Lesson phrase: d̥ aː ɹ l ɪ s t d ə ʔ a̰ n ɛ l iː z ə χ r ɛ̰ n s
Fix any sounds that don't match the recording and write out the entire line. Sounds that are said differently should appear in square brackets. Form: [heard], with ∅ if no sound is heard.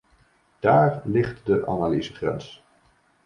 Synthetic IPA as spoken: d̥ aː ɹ l ɪ [χ] t d ə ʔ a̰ n [a] l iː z ə χ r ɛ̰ n s